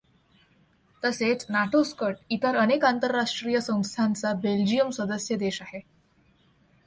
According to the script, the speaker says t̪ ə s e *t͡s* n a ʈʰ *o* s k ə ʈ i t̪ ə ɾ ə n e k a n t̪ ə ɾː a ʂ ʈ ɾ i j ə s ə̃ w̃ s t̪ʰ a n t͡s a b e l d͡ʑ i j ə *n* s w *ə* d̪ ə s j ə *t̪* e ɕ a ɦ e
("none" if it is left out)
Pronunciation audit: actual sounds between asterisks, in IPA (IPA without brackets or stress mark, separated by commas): t͡s, o, m, ə, d̪